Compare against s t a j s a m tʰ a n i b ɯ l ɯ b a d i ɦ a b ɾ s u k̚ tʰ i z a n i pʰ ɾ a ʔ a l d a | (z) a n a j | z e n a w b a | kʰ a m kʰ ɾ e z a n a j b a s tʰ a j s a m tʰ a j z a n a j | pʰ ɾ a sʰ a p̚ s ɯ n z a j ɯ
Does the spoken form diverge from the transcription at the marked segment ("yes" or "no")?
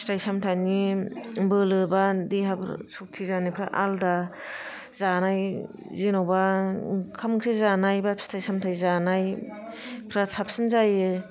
no